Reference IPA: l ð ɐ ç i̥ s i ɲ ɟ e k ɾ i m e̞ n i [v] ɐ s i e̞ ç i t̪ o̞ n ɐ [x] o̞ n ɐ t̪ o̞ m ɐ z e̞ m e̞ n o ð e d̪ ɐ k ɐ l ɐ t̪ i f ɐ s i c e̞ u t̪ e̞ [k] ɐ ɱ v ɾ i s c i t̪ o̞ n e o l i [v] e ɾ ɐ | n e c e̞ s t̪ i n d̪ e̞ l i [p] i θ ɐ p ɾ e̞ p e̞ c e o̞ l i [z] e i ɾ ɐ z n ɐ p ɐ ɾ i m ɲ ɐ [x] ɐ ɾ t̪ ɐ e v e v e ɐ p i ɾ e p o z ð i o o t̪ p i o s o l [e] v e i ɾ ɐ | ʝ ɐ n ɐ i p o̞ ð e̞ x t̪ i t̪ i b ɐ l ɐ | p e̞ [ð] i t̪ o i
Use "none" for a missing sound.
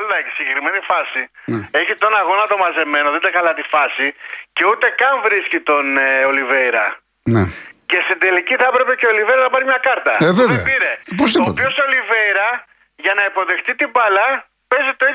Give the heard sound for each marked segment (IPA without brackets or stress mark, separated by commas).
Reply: f, ɣ, k, v, c, v, k, i, z